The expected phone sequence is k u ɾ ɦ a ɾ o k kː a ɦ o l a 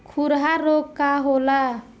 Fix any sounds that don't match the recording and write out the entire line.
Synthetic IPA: kʰ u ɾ ɦ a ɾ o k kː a ɦ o l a